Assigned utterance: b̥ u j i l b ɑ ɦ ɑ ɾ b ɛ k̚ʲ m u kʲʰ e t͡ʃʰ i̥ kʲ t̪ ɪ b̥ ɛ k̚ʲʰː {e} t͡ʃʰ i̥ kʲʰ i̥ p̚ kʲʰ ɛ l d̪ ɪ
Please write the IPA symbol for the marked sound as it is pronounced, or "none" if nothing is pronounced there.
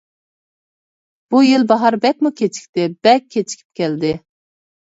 e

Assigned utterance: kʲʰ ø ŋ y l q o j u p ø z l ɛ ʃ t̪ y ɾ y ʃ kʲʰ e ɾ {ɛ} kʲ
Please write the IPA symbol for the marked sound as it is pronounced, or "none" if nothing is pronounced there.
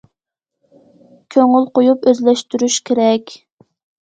ɛ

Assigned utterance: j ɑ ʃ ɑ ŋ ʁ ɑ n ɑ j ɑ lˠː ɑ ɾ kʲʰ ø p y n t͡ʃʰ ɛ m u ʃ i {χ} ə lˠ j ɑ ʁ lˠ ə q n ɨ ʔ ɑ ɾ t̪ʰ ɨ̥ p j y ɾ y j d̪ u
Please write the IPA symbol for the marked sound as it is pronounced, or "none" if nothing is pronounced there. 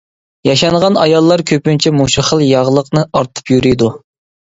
χ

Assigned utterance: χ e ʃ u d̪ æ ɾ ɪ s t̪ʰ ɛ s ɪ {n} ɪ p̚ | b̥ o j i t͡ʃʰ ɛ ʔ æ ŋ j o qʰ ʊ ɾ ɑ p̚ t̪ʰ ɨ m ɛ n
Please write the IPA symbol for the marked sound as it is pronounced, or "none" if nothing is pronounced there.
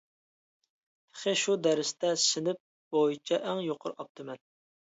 n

